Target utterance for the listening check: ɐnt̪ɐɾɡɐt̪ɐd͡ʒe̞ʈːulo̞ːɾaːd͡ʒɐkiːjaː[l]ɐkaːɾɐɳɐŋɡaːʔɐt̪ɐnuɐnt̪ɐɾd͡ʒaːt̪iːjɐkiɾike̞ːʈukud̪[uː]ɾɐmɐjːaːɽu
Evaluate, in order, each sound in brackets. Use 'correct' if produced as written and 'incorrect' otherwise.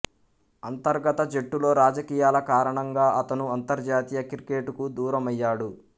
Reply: correct, correct

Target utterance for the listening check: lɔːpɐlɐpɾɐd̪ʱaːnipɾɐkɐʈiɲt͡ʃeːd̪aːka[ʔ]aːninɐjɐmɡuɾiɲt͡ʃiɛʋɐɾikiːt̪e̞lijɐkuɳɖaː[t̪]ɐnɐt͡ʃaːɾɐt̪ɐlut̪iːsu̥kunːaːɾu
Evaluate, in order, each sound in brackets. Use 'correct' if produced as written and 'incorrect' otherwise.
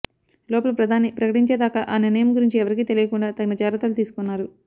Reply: correct, correct

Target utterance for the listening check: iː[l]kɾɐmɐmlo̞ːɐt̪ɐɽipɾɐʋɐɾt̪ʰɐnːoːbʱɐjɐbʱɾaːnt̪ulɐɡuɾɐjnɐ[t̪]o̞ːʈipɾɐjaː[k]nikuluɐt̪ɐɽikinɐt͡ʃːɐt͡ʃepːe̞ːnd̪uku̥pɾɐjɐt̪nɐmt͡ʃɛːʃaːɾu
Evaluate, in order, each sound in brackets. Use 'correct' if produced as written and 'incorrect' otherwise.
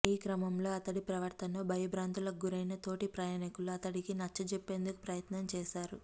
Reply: incorrect: none, correct, incorrect: none

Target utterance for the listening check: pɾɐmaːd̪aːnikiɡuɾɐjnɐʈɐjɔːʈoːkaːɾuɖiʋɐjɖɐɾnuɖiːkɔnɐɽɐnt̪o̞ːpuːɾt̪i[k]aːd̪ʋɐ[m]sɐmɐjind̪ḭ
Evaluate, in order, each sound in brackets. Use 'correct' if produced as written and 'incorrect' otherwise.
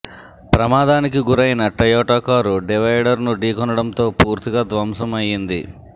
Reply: incorrect: ɡ, correct

